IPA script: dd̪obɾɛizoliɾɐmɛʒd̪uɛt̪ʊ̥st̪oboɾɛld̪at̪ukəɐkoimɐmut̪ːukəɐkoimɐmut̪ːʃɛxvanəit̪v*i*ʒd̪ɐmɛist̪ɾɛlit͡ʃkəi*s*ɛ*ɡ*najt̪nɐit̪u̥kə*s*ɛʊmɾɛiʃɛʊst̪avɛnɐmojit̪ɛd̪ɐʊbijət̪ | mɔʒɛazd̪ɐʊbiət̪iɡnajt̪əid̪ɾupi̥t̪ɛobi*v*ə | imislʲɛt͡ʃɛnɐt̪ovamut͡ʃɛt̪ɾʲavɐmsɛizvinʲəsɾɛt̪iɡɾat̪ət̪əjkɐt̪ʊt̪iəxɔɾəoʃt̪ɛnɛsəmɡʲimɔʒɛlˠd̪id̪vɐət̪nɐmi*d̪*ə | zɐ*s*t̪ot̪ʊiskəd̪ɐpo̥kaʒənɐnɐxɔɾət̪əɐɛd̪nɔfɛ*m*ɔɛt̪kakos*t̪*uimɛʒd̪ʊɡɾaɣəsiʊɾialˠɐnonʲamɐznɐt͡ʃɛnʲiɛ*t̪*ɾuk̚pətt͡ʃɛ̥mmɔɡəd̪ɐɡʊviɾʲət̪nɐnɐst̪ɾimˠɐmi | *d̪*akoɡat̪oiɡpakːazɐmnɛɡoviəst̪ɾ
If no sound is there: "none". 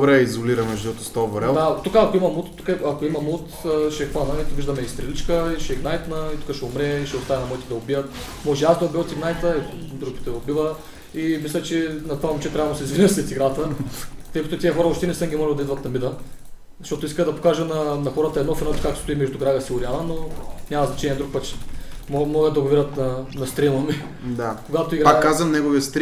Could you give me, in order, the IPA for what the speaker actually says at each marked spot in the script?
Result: i, ʃ, ɡ, ʃ, v, d̪, ʃ, n, t̪, d̪, d̪

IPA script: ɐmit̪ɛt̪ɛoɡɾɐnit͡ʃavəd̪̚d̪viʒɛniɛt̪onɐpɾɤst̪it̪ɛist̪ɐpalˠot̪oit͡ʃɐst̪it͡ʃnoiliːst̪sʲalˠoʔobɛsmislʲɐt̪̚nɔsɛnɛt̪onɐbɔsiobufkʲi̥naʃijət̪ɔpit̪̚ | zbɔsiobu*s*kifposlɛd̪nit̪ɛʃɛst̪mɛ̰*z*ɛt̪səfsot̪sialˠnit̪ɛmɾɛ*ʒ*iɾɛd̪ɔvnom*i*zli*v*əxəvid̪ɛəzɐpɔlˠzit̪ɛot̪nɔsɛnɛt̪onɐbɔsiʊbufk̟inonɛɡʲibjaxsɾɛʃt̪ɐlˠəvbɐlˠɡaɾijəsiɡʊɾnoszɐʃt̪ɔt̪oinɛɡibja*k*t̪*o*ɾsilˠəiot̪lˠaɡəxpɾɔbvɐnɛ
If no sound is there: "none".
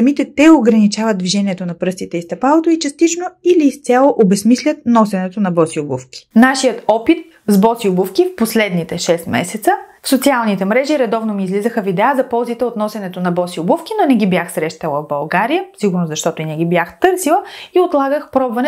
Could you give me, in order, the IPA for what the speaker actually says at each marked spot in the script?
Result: f, s, ʒ, iː, z, x, ɤ

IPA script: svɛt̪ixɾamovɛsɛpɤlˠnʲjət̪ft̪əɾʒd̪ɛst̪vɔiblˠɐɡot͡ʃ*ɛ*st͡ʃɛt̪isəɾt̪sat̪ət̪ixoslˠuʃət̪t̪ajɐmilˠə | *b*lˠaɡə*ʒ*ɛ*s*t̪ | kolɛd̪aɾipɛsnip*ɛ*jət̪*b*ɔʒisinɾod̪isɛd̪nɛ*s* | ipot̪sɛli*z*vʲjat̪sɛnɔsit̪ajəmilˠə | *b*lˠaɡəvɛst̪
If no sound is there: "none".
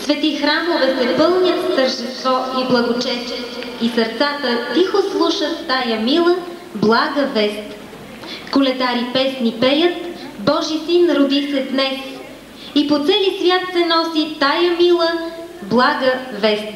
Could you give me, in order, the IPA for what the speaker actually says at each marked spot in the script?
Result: ɛ, b, v, s, ɛ, b, s, s, b

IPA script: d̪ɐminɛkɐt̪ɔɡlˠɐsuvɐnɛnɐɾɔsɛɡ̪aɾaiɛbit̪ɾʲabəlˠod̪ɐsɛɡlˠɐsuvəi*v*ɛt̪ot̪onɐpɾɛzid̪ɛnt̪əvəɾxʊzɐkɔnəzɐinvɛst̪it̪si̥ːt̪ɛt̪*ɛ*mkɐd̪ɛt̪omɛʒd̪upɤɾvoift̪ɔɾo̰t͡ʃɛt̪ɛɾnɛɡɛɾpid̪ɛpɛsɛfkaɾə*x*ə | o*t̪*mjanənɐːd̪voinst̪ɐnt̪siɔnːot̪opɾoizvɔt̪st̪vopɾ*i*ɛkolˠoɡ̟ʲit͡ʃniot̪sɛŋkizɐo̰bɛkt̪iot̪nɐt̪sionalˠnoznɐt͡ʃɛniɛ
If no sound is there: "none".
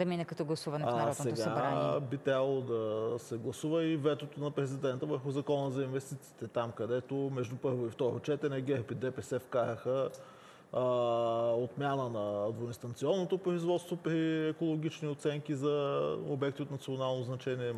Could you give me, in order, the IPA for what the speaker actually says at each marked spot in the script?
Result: v, a, x, t̪, i

